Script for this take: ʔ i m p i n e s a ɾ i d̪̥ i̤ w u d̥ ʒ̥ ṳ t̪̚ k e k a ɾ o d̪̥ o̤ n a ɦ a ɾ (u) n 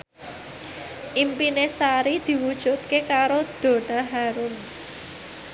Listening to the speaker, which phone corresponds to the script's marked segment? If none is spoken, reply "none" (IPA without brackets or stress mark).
ʊ